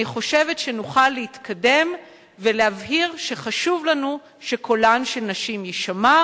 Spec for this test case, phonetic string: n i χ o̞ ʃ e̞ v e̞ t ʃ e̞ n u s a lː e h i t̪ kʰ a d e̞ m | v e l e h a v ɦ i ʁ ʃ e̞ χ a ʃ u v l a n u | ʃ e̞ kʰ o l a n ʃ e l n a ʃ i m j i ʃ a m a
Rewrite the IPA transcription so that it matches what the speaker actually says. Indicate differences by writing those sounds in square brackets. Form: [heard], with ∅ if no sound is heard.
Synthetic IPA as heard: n i χ o̞ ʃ e̞ v e̞ t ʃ e̞ n u [χ] a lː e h i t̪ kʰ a d e̞ m | v e l e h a v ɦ i ʁ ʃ e̞ χ a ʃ u v l a n u | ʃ e̞ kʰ o l a n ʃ e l n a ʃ i m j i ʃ a m a